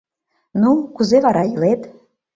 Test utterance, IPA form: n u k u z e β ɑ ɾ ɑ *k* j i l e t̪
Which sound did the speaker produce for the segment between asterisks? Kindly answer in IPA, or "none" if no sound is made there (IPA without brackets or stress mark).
none